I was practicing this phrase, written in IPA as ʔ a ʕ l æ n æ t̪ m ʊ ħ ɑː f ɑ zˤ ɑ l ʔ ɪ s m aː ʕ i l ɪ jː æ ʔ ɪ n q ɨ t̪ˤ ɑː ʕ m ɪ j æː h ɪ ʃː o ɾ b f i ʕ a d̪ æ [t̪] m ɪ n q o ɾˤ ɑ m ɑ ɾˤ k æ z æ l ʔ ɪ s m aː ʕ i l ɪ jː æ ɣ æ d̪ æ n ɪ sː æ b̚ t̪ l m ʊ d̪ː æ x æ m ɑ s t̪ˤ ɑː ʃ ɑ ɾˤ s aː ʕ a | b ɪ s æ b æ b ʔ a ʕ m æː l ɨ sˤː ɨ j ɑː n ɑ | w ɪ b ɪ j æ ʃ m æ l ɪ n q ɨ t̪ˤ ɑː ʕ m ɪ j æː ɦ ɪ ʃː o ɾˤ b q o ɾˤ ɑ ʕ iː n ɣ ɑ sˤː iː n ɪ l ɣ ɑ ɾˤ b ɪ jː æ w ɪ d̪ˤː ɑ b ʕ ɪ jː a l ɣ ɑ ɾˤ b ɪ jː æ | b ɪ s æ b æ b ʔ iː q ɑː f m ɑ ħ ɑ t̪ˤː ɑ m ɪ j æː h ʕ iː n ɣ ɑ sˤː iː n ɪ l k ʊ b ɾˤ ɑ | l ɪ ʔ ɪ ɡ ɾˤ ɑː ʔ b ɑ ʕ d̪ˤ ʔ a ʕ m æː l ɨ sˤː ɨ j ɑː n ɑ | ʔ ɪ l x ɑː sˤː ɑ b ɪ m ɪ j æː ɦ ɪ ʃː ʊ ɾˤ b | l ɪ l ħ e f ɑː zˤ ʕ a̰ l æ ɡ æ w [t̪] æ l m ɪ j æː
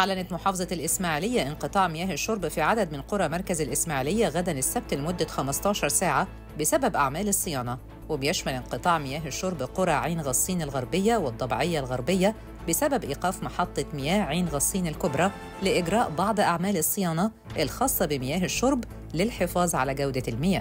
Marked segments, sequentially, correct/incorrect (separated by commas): incorrect, incorrect